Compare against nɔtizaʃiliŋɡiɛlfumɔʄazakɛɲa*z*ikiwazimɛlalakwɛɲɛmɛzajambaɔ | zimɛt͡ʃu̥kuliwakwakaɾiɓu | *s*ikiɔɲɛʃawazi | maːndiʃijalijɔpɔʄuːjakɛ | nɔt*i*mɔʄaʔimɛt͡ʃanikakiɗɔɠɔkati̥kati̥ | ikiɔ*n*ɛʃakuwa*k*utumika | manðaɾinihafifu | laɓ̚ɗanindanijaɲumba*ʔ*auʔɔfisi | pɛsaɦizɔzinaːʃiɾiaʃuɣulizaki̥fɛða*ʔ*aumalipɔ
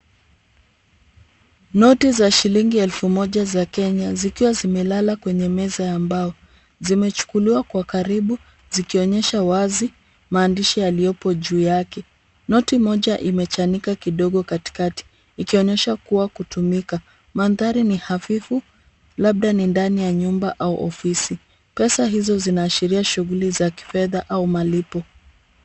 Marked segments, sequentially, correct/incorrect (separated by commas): correct, incorrect, correct, incorrect, correct, correct, correct